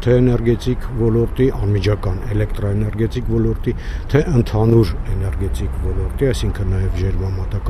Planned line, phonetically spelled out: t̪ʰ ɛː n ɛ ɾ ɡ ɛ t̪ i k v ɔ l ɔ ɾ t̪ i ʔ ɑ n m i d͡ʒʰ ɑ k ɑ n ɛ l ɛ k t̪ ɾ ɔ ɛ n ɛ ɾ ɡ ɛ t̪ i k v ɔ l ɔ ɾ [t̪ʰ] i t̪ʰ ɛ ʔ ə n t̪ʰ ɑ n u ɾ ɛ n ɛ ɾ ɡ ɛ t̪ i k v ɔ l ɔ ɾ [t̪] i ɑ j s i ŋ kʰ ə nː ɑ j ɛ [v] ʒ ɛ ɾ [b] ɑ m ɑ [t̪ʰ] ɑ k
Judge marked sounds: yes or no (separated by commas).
no, yes, yes, no, no